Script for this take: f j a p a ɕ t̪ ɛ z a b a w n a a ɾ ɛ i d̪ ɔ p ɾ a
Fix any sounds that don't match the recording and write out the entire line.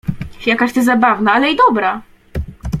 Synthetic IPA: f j a k a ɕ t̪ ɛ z a b a v n a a l ɛ i d̪ ɔ b ɾ a